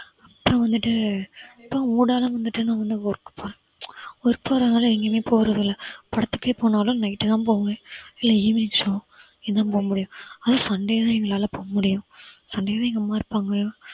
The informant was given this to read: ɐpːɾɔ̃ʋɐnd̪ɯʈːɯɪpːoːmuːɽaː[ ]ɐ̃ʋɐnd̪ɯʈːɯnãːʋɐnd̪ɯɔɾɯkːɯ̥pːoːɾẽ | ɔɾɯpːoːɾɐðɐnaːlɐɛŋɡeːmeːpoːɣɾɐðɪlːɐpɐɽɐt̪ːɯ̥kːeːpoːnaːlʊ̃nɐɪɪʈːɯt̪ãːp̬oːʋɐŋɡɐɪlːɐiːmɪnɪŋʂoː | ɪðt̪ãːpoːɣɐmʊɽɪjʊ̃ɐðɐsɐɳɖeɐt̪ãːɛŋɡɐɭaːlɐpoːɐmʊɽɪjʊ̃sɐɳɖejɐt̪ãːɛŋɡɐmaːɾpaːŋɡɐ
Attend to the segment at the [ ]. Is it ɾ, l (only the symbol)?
l